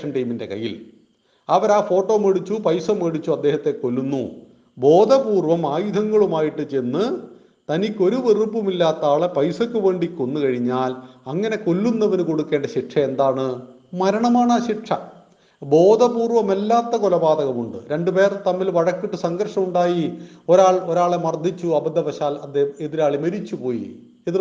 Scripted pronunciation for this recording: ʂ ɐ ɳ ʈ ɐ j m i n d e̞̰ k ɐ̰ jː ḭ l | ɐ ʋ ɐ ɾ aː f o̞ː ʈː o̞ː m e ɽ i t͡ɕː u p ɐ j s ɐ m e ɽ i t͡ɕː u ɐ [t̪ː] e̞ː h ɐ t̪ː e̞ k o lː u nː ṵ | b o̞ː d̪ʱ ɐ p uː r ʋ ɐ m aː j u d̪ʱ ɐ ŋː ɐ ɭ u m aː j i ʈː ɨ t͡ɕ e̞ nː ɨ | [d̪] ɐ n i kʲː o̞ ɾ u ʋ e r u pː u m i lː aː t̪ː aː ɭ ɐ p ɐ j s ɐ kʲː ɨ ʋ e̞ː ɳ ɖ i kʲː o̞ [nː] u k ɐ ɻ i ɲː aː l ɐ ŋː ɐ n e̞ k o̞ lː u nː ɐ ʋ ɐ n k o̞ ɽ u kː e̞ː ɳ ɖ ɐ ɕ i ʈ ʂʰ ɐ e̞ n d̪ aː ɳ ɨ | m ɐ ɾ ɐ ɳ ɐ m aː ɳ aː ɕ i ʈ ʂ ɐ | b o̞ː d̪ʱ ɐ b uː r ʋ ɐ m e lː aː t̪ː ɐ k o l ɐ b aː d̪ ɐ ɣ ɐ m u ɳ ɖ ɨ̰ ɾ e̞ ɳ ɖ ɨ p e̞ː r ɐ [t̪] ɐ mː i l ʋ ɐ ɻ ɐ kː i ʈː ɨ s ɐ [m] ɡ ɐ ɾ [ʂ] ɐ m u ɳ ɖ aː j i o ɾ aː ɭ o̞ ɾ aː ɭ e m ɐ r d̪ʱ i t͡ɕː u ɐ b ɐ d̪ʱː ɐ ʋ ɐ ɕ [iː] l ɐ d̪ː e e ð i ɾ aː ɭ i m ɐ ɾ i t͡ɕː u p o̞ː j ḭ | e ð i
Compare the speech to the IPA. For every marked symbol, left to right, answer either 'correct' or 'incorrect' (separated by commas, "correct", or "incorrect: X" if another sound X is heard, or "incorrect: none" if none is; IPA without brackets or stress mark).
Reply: incorrect: d̪ː, incorrect: t̪, correct, correct, incorrect: ŋ, correct, incorrect: aː